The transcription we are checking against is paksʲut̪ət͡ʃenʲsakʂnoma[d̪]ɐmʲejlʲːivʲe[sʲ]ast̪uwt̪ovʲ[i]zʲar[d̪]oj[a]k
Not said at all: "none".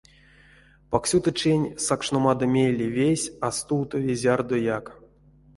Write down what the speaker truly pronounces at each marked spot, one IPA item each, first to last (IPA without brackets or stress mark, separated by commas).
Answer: d̪, sʲ, e, d̪, a